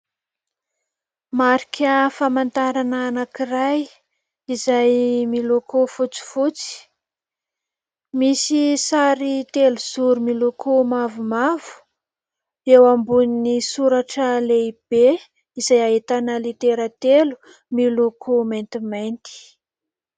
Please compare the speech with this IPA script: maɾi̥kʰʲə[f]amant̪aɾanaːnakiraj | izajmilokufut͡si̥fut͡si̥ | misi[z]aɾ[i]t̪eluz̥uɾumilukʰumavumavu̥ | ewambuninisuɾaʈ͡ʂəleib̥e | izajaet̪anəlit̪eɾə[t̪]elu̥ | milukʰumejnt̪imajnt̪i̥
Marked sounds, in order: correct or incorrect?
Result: correct, incorrect, correct, correct

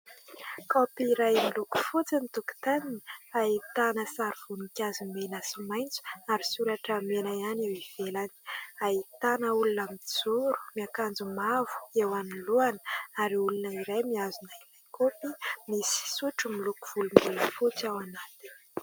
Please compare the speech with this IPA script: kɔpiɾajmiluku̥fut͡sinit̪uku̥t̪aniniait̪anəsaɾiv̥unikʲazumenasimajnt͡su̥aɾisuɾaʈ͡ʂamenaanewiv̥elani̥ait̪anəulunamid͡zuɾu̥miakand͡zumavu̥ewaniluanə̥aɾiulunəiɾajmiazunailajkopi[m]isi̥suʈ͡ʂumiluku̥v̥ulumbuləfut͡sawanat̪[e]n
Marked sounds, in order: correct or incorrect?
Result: correct, incorrect

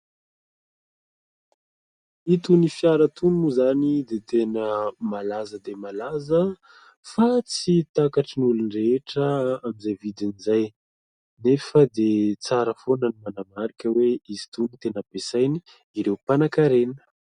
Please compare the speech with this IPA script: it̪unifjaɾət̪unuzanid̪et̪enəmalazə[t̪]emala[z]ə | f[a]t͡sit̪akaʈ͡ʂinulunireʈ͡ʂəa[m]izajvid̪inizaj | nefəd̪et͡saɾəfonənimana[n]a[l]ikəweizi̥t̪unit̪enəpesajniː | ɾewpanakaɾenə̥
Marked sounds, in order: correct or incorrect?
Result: incorrect, correct, correct, correct, incorrect, incorrect

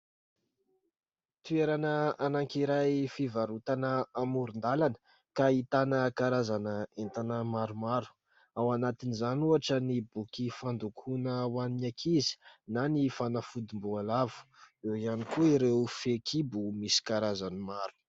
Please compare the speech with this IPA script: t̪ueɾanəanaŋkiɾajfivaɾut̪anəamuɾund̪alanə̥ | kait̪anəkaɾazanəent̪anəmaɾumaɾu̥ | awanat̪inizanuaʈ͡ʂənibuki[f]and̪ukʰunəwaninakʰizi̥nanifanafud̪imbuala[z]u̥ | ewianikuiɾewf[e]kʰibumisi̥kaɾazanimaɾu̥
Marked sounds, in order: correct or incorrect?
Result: correct, incorrect, correct

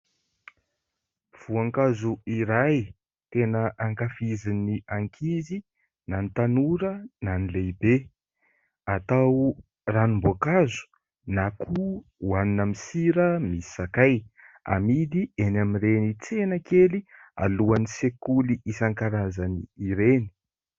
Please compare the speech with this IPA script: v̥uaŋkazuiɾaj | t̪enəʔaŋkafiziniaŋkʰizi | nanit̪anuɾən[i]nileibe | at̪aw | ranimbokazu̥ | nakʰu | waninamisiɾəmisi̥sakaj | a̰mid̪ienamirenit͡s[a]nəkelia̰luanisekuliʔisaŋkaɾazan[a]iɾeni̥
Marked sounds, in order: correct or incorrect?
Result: incorrect, incorrect, incorrect

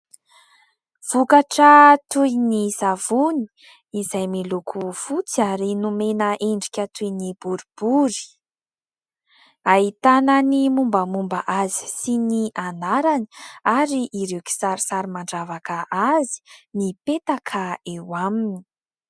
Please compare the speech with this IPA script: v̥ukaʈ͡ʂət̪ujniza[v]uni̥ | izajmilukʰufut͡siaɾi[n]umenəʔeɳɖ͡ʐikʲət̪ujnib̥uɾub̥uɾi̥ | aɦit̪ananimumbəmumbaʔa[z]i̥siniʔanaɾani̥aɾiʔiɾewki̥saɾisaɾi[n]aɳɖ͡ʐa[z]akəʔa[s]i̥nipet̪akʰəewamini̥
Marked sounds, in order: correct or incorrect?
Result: correct, correct, correct, incorrect, incorrect, incorrect

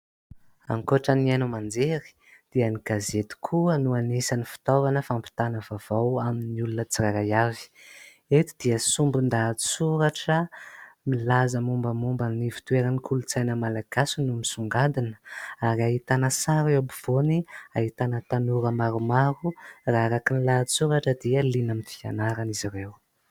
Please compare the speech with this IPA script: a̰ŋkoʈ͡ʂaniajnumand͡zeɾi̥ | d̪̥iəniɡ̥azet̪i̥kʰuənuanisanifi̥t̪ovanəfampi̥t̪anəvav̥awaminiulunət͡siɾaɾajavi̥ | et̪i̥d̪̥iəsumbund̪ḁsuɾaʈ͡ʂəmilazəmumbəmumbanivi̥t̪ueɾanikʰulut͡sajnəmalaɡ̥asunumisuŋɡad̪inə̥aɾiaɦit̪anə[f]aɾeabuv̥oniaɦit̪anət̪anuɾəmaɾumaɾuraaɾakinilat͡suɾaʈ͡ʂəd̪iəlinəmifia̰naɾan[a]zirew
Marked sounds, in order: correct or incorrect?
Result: incorrect, incorrect

